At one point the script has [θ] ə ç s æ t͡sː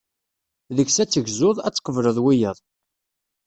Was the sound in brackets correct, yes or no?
no